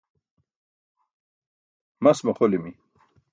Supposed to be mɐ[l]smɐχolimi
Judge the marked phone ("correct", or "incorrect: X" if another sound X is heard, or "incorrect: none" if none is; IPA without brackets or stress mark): incorrect: none